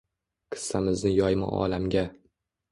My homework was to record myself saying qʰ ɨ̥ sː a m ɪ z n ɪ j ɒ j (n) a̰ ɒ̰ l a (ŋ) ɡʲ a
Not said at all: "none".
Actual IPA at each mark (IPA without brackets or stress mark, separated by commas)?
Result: m, m